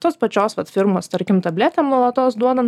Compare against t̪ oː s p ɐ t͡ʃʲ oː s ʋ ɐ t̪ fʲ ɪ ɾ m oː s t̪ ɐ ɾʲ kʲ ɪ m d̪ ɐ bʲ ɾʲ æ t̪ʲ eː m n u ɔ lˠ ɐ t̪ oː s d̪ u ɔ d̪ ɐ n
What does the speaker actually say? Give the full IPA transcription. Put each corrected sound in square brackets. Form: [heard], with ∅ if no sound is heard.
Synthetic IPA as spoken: t̪ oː s p ɐ t͡ʃʲ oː s ʋ ɐ t̪ fʲ ɪ ɾ m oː s t̪ ɐ ɾʲ kʲ ɪ m [t̪] ɐ bʲ [lʲ] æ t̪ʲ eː m n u ɔ lˠ ɐ t̪ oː s d̪ u ɔ d̪ ɐ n